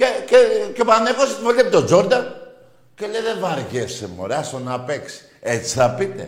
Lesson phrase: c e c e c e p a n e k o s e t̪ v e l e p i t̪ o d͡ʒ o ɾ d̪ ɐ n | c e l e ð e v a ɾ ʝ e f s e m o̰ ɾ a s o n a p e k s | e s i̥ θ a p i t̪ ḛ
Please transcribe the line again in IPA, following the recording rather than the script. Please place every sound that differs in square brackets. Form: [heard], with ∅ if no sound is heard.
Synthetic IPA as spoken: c e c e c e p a n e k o s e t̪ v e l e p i t̪ o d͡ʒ o ɾ d̪ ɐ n | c e l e ð e v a ɾ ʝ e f s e m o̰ ɾ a s o n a p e k s | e [t͡s] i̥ θ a p i t̪ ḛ